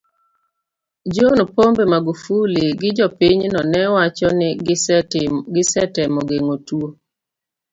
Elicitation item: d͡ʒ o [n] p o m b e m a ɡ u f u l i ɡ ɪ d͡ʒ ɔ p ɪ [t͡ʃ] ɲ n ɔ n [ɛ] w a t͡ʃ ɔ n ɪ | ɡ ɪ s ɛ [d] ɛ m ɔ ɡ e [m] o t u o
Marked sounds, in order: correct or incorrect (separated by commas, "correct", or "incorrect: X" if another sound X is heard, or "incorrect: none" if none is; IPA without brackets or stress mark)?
correct, incorrect: none, correct, incorrect: t, incorrect: ŋ